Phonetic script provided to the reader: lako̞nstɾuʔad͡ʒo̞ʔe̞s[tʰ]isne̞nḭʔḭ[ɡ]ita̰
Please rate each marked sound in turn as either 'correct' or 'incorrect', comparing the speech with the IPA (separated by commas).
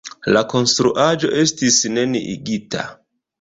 incorrect, correct